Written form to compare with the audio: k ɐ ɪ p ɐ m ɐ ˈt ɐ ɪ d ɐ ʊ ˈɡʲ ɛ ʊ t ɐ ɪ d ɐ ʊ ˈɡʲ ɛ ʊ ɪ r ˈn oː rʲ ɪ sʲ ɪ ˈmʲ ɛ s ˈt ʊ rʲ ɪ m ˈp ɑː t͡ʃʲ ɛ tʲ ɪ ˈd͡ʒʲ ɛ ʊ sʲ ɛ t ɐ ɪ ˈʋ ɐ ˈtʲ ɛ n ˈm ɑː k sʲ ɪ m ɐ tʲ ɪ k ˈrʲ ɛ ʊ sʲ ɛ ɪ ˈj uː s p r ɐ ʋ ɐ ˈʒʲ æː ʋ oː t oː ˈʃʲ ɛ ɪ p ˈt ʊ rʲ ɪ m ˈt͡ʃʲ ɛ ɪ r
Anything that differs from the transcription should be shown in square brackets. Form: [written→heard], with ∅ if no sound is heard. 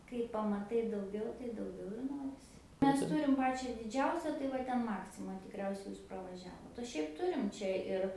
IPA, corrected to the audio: k ɐ ɪ p ɐ m ɐ ˈt ɐ ɪ d ɐ ʊ ˈɡʲ ɛ ʊ t ɐ ɪ d ɐ ʊ ˈɡʲ ɛ ʊ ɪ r ˈn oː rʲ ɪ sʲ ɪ ˈmʲ ɛ s ˈt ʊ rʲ ɪ m ˈp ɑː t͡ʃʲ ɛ [tʲ→dʲ] ɪ ˈd͡ʒʲ ɛ ʊ sʲ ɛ t ɐ ɪ ˈʋ ɐ ˈtʲ ɛ n ˈm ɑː k sʲ ɪ m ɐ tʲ ɪ k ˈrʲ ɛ ʊ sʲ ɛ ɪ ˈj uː s p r ɐ ʋ ɐ ˈʒʲ æː ʋ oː t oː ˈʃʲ ɛ ɪ p ˈt ʊ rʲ ɪ m ˈt͡ʃʲ ɛ ɪ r

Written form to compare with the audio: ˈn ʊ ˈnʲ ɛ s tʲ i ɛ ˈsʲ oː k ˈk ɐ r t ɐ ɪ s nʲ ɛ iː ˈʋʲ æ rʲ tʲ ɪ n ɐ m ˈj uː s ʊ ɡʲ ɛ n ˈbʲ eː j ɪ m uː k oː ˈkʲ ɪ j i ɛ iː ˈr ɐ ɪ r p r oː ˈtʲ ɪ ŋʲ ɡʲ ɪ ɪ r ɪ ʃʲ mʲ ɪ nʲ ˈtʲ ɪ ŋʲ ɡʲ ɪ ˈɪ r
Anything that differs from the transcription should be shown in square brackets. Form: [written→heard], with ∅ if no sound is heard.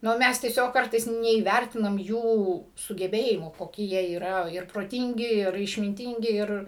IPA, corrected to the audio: ˈn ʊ [ˈnʲ→ˈmʲ] ɛ s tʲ i ɛ ˈsʲ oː k ˈk ɐ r t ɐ ɪ s nʲ ɛ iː ˈʋʲ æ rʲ tʲ ɪ n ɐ m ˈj uː s ʊ ɡʲ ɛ [n→∅] ˈbʲ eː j ɪ m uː k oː ˈkʲ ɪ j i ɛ iː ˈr ɐ ɪ r p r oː ˈtʲ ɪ ŋʲ ɡʲ ɪ ɪ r ɪ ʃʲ mʲ ɪ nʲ ˈtʲ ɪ ŋʲ ɡʲ ɪ ˈɪ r

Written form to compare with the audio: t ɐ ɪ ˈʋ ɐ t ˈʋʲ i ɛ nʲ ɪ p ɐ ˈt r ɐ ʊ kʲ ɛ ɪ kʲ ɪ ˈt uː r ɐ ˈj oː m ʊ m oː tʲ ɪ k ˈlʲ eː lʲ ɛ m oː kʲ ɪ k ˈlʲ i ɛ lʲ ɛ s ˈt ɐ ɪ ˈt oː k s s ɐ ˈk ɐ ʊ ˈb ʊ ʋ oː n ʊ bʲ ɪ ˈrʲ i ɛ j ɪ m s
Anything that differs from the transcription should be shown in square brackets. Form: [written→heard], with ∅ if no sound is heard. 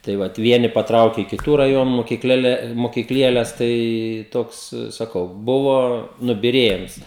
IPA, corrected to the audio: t ɐ ɪ ˈʋ ɐ t ˈʋʲ i ɛ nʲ ɪ p ɐ ˈt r ɐ ʊ kʲ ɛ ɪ kʲ ɪ ˈt uː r ɐ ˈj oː [m→n] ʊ m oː [tʲ→kʲ] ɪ k ˈlʲ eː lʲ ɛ m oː kʲ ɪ k ˈlʲ i ɛ lʲ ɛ s ˈt ɐ ɪ ˈt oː k s s ɐ ˈk ɐ ʊ ˈb ʊ ʋ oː n ʊ bʲ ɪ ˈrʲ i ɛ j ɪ m s

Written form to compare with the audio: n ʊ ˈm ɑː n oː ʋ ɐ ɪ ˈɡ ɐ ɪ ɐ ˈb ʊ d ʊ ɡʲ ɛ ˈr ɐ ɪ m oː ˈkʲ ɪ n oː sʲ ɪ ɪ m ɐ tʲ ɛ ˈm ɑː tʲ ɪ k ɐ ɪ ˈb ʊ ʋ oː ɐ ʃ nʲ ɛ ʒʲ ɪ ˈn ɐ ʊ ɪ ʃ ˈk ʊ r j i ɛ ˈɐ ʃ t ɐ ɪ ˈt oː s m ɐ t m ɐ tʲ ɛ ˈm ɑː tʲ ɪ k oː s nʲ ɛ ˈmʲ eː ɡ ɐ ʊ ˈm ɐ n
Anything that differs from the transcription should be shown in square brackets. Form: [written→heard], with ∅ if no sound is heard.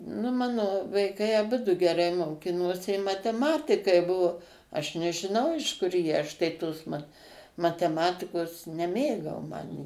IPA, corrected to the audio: n ʊ ˈm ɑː n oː ʋ ɐ ɪ [ˈɡ→ˈk] ɐ ɪ ɐ ˈb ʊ d ʊ ɡʲ ɛ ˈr ɐ ɪ m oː ˈkʲ ɪ n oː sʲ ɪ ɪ m ɐ tʲ ɛ ˈm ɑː tʲ ɪ k ɐ ɪ ˈb ʊ ʋ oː ɐ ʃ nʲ ɛ ʒʲ ɪ ˈn ɐ ʊ ɪ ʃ ˈk ʊ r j i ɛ ˈɐ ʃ t ɐ ɪ ˈt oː s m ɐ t m ɐ tʲ ɛ ˈm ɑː tʲ ɪ k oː s nʲ ɛ ˈmʲ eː ɡ ɐ ʊ ˈm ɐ n

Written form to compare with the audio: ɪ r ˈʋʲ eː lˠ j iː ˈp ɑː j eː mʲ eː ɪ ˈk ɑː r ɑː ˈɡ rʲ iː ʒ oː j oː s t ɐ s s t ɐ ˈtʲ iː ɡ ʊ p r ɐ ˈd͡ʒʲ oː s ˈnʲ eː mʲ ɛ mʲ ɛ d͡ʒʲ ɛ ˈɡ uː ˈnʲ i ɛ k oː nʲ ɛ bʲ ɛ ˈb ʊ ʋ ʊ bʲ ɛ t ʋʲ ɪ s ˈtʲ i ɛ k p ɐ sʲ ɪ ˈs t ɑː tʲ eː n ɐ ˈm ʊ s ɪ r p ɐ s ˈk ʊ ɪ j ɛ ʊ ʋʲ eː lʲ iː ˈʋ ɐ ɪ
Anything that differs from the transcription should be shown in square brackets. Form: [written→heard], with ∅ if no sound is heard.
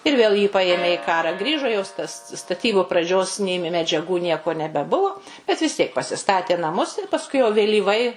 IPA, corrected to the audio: ɪ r ˈʋʲ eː lˠ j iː ˈp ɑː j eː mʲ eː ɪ ˈk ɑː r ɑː ˈɡ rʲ iː ʒ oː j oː s t ɐ s s t ɐ ˈtʲ iː [ɡ→b] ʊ p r ɐ ˈd͡ʒʲ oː s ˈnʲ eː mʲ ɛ mʲ ɛ d͡ʒʲ ɛ ˈɡ uː ˈnʲ i ɛ k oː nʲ ɛ bʲ ɛ ˈb ʊ ʋ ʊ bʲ ɛ t ʋʲ ɪ s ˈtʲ i ɛ k p ɐ sʲ ɪ ˈs t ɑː tʲ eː n ɐ ˈm ʊ s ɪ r p ɐ s ˈk ʊ ɪ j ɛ ʊ ʋʲ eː lʲ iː ˈʋ ɐ ɪ

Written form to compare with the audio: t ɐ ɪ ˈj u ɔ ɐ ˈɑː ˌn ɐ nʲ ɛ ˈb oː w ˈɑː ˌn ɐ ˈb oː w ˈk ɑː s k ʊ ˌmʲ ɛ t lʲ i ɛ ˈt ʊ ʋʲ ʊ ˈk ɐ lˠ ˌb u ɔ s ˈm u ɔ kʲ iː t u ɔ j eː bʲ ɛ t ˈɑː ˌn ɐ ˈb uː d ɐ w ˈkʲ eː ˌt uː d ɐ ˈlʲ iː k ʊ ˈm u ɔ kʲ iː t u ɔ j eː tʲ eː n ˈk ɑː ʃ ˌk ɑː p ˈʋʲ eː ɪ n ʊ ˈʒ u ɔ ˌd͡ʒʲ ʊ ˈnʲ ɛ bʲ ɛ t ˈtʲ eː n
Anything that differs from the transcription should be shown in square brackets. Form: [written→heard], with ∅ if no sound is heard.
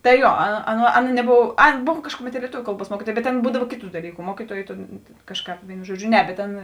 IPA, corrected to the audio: t ɐ ɪ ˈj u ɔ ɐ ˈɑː ˌn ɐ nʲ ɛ ˈb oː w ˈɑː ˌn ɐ ˈb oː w ˈk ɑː [s→ʃ] k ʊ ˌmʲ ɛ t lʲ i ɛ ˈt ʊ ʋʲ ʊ ˈk ɐ lˠ ˌb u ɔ s ˈm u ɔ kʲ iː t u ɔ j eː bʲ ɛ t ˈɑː ˌn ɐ ˈb uː d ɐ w ˈkʲ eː ˌt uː d ɐ ˈlʲ iː k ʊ ˈm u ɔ kʲ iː t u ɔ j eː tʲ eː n ˈk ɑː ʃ ˌk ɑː p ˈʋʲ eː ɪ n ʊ ˈʒ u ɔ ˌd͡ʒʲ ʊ ˈnʲ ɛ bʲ ɛ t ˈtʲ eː n

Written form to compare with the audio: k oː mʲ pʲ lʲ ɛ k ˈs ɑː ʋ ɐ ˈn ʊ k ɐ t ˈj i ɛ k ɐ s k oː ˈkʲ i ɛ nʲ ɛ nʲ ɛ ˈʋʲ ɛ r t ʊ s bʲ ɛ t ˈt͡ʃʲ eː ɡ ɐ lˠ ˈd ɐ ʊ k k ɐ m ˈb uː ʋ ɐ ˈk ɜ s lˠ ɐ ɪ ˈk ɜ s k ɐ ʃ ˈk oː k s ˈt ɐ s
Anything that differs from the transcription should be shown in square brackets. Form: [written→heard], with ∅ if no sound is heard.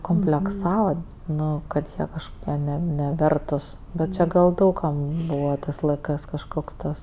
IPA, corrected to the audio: k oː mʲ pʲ lʲ ɛ k ˈs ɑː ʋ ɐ ˈn ʊ k ɐ t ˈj i ɛ k ɐ [s→ʃ] k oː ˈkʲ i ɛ nʲ ɛ nʲ ɛ ˈʋʲ ɛ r t ʊ s bʲ ɛ t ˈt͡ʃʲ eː ɡ ɐ lˠ ˈd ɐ ʊ k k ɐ m ˈb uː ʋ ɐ [ˈk→ˈt] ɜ s lˠ ɐ ɪ ˈk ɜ s k ɐ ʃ ˈk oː k s ˈt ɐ s

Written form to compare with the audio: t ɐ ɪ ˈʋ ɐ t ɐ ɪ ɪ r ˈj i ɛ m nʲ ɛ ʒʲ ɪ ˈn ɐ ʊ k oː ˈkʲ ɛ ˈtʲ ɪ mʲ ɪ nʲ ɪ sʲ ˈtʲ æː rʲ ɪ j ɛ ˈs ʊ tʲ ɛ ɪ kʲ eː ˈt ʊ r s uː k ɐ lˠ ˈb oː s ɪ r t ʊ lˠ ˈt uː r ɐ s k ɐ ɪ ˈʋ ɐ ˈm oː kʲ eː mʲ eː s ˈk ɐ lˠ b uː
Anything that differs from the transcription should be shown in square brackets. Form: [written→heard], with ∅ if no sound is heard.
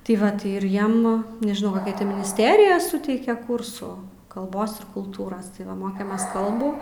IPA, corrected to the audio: t ɐ ɪ ˈʋ ɐ t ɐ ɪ ɪ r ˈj i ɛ m nʲ ɛ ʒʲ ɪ ˈn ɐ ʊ k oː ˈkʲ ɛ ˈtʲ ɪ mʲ ɪ nʲ ɪ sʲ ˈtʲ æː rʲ ɪ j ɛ ˈs ʊ tʲ ɛ ɪ kʲ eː [ˈt→ˈk] ʊ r s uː k ɐ lˠ ˈb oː s ɪ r [t→k] ʊ lˠ ˈt uː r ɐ s [k→t] ɐ ɪ ˈʋ ɐ ˈm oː kʲ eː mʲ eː s ˈk ɐ lˠ b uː

